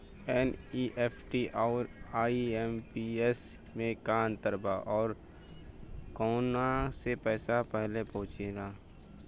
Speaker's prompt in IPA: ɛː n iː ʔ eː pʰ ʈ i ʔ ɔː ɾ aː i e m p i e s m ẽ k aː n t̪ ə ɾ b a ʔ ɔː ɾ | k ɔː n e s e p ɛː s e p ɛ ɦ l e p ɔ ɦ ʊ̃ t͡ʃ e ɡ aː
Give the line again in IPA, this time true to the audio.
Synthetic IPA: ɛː n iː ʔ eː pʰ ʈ i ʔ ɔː ɾ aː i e m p i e s m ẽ k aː n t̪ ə ɾ b a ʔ ɔː ɾ | k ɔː n a s e p ɛː s a p ɛ ɦ l e p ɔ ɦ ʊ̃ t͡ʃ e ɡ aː